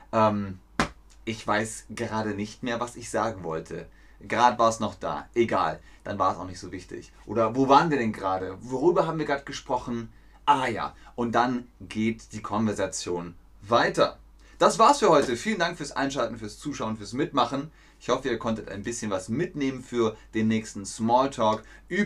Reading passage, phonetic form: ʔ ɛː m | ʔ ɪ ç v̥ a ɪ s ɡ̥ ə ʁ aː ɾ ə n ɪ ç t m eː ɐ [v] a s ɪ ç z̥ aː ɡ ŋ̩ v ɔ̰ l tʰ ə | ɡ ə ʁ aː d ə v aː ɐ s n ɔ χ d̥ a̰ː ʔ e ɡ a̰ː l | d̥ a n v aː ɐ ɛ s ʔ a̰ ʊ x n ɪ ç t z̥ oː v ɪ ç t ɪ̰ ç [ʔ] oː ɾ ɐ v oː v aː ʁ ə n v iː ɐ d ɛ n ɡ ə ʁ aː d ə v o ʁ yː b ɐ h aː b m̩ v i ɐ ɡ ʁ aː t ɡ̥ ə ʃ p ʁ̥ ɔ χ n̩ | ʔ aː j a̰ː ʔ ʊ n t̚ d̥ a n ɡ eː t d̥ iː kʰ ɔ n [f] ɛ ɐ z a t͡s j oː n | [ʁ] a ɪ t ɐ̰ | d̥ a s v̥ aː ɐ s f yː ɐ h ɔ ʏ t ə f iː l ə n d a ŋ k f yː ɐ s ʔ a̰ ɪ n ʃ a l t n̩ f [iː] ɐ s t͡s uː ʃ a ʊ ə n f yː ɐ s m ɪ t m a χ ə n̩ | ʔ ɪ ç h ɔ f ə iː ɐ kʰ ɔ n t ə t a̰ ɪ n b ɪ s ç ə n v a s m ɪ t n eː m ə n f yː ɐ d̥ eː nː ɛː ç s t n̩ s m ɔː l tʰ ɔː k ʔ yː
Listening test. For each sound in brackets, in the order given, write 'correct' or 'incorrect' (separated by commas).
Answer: correct, correct, incorrect, incorrect, incorrect